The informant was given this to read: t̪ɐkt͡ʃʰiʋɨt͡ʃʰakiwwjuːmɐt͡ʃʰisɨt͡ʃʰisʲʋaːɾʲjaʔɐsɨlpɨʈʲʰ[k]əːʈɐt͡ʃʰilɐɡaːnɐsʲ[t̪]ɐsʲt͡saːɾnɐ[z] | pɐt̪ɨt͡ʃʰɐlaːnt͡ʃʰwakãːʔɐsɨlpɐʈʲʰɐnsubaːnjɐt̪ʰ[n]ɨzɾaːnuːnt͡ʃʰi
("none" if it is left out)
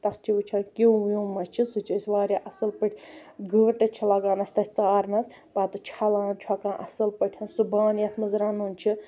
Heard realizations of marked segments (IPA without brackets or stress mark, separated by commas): ɡ, t̪, s, m